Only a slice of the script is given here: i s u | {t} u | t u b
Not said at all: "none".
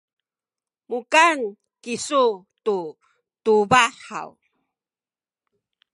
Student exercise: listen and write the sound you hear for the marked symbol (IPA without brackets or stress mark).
t